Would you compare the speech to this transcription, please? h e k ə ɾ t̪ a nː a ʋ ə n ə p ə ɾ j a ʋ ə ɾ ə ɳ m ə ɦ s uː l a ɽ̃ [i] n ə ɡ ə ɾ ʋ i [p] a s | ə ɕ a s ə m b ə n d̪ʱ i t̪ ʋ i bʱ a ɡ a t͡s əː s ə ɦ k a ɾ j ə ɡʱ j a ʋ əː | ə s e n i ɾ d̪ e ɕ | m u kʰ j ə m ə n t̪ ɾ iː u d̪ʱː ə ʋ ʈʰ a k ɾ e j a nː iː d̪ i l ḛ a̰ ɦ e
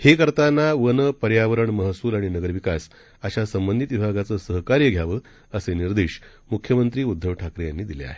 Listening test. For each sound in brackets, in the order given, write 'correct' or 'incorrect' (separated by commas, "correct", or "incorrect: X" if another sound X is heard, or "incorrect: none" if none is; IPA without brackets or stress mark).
correct, incorrect: k